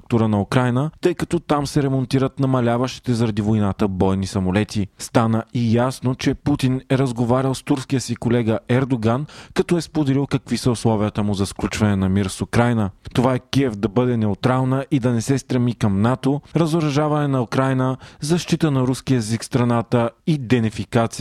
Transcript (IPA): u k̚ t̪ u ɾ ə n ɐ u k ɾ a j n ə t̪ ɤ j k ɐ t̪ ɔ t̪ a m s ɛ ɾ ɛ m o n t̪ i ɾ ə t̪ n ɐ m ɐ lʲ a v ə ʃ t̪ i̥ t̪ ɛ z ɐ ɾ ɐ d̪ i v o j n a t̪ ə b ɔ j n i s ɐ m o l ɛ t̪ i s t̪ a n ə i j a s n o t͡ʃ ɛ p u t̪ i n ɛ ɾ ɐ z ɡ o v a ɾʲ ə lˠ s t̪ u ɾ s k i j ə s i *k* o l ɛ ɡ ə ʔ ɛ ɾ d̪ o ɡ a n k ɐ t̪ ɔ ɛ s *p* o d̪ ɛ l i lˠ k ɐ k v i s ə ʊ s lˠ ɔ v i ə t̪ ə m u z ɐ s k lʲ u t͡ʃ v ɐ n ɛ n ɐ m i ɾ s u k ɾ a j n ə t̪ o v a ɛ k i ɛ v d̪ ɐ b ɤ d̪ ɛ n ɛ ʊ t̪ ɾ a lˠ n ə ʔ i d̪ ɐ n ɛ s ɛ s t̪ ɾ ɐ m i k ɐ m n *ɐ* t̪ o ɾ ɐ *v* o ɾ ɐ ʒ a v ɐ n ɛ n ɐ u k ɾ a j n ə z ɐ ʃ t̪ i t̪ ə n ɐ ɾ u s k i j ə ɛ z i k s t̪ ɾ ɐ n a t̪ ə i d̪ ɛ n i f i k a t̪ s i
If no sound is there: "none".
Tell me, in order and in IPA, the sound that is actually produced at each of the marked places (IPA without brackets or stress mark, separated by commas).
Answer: k, p, a, z